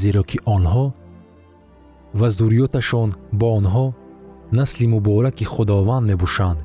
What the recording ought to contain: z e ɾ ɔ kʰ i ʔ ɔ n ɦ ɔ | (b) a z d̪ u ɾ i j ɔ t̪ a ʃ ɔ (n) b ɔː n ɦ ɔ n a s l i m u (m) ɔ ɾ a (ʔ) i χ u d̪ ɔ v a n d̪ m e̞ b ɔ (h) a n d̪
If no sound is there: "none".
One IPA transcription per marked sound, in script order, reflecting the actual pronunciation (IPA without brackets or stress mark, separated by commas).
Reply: v, n, b, k, ʃ